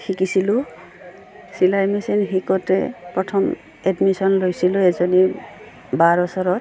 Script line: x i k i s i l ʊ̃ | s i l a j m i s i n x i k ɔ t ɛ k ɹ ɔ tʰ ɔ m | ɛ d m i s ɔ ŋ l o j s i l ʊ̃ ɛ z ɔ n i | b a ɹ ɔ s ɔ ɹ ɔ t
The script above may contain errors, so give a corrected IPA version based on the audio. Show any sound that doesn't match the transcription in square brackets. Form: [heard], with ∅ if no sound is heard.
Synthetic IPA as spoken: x i k i s i l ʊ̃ | s i l a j m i s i n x i k ɔ t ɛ [p] ɹ ɔ tʰ ɔ m | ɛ d m i s ɔ [n] l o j s i l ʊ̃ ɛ z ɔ n i | b a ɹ ɔ s ɔ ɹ ɔ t